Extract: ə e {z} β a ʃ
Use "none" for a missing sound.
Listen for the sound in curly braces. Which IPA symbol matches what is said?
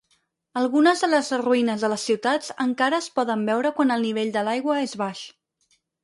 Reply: z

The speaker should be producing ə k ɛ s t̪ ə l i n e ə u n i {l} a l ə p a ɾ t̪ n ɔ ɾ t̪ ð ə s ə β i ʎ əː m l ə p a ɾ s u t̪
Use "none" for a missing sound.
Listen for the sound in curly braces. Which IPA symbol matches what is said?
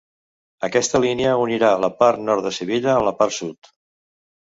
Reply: ɾ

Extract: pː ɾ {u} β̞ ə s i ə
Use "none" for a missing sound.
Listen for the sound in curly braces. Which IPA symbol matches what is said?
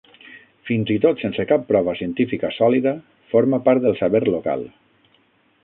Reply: ɔ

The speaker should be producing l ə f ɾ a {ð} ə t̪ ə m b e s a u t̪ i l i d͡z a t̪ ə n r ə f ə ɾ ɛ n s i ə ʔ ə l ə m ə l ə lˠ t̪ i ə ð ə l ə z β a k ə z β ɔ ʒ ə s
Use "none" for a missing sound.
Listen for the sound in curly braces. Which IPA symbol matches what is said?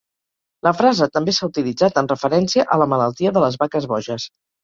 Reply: z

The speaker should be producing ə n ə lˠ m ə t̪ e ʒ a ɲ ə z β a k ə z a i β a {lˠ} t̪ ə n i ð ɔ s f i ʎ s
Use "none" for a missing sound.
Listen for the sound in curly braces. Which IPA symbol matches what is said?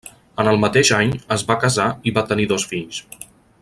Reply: none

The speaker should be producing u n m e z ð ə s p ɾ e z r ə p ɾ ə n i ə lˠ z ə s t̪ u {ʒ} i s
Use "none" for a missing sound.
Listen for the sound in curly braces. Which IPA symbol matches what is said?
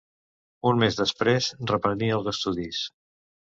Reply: ð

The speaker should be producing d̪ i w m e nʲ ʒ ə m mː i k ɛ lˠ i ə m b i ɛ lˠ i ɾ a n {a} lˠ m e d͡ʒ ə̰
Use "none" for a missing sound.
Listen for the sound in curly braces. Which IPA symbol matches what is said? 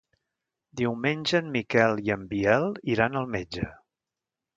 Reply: ə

